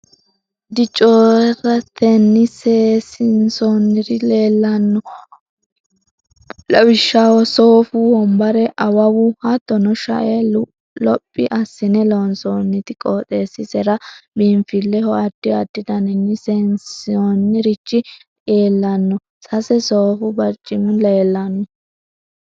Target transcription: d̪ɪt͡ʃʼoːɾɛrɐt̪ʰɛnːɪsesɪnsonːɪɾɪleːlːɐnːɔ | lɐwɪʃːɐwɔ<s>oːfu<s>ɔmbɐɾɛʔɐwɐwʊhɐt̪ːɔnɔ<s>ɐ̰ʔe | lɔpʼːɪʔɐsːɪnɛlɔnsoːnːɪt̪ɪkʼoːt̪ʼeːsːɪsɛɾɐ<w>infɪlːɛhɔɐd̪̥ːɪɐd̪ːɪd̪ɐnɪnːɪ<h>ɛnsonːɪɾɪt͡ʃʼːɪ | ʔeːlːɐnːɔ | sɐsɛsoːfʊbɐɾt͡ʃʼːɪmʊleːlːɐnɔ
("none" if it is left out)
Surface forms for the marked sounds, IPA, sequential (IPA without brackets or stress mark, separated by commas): s, h, ʃ, b, s